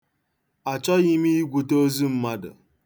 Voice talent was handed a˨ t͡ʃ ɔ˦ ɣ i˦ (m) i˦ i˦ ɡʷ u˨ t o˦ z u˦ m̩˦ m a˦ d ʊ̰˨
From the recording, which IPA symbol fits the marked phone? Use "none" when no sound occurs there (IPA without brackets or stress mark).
m